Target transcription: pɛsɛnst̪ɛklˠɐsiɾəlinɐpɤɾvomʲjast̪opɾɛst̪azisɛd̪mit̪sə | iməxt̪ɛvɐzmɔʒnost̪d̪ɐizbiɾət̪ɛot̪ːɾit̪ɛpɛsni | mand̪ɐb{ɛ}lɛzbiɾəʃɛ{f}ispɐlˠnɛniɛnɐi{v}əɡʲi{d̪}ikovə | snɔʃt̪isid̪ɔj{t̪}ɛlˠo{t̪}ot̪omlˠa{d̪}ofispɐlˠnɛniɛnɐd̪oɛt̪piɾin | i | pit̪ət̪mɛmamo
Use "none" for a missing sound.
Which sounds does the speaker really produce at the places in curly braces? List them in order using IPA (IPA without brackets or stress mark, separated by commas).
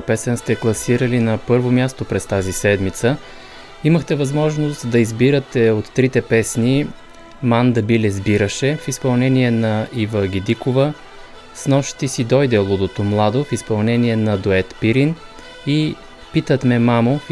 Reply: i, f, v, d̪, d̪, d̪, d̪